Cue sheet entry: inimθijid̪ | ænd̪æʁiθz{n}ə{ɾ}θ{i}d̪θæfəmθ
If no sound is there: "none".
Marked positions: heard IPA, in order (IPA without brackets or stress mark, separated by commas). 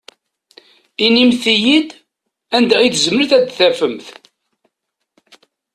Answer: m, ɾ, æ